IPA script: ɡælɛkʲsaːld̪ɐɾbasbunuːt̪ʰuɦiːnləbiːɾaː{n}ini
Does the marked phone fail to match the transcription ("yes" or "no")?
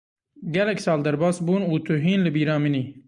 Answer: yes